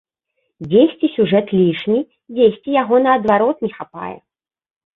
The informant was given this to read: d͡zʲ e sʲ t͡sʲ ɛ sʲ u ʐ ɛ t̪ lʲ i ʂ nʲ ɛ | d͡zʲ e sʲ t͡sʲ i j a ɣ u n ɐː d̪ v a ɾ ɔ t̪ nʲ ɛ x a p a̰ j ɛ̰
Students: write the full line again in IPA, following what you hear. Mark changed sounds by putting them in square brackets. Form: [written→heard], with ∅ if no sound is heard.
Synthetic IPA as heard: d͡zʲ e sʲ t͡sʲ [ɛ→i] sʲ u ʐ ɛ t̪ lʲ i ʂ nʲ [ɛ→i] | d͡zʲ e sʲ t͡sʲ i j a ɣ [u→ɔ] n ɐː d̪ v a ɾ ɔ t̪ nʲ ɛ x a p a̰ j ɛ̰